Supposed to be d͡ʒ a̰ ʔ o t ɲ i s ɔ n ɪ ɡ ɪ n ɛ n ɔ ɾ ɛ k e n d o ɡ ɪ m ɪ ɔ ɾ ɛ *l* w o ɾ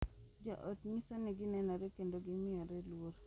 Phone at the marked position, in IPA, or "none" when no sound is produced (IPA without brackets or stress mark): l